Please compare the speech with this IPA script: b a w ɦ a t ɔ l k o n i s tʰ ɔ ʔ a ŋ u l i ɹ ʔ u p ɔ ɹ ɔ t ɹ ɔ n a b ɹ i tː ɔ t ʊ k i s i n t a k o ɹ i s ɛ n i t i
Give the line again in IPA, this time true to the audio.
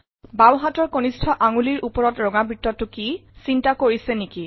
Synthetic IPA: b a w ɦ a t ɔ ɹ k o n i s tʰ ɔ ʔ a ŋ u l i ɹ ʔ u p ɔ ɹ ɔ t ɹ ɔ ŋ a b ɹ i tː ɔ t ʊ k i s i n t a k o ɹ i s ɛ n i k i